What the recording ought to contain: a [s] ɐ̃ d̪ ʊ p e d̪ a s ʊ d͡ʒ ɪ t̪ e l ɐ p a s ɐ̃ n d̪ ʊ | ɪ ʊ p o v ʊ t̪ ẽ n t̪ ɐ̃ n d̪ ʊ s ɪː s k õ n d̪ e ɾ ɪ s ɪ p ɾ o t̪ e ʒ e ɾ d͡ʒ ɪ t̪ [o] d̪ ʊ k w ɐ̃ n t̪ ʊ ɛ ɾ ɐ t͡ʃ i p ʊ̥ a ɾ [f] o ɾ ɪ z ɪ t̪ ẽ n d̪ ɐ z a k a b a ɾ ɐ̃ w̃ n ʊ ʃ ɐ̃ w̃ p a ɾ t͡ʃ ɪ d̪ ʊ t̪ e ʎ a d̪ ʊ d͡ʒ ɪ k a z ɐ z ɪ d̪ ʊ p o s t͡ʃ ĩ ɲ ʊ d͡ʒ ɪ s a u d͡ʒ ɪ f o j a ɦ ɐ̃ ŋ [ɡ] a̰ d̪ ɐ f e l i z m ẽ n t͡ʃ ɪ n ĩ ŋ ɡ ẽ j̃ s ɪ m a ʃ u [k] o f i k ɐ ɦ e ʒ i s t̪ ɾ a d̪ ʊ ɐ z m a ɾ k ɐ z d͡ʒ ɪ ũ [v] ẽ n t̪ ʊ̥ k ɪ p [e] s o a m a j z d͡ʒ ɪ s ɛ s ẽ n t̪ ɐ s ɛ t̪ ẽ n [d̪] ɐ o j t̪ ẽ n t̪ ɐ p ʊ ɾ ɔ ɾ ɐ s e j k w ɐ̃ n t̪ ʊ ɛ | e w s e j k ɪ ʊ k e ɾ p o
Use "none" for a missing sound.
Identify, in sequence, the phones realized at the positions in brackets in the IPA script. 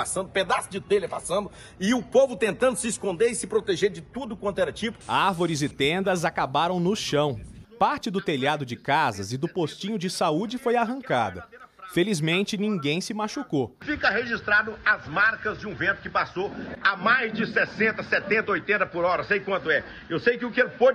s, u, v, k, k, v, a, t̪

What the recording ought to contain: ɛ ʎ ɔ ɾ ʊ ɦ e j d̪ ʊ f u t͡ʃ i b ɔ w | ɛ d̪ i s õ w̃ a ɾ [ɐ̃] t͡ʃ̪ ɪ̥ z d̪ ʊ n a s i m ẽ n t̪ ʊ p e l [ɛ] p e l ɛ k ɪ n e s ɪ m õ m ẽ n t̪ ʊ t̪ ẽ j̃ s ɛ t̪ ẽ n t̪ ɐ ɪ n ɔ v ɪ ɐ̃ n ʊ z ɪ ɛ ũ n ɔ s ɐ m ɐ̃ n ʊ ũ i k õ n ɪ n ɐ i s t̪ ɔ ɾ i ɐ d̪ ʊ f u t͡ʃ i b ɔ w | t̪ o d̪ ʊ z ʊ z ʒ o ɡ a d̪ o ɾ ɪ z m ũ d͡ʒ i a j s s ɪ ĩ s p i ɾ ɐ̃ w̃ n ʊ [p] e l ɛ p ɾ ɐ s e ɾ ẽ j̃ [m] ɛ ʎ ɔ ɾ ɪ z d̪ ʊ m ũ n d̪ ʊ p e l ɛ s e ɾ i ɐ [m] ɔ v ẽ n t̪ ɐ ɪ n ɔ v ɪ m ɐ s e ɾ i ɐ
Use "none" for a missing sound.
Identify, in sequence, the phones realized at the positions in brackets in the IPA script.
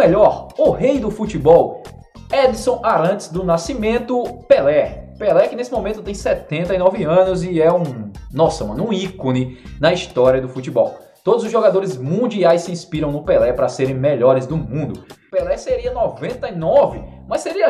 ɐ̃, ɛ, p, m, n

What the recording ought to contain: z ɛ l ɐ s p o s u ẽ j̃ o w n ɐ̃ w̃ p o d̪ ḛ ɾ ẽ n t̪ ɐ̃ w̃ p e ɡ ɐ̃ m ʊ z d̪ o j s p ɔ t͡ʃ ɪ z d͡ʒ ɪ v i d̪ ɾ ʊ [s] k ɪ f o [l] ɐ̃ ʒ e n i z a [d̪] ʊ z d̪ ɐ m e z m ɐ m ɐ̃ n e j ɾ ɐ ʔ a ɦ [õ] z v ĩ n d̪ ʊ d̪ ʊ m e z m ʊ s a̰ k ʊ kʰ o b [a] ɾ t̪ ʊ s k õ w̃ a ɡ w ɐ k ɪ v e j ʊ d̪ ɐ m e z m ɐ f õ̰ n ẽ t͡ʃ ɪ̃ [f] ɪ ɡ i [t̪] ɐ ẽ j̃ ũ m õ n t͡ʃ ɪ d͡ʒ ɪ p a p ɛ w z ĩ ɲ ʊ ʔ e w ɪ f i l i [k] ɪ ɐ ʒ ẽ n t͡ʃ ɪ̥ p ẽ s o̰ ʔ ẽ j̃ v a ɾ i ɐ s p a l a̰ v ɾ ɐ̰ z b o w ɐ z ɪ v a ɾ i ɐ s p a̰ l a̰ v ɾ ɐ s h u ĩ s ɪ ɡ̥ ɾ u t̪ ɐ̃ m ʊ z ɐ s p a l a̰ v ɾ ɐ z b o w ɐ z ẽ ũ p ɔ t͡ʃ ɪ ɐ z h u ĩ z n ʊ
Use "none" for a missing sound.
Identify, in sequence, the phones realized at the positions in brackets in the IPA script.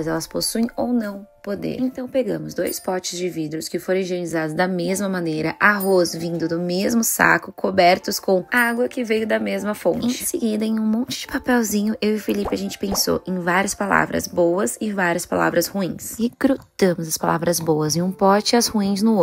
s, ɾ, d̪, o, ɛ, s, d̪, p

